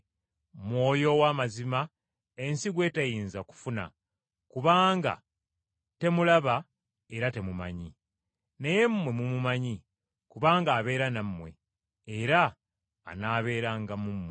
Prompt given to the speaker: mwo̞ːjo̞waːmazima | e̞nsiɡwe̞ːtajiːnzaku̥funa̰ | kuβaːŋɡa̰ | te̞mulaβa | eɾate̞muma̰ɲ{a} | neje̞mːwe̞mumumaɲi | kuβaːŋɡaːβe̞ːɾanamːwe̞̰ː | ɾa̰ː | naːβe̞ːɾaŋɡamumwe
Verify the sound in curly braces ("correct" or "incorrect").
incorrect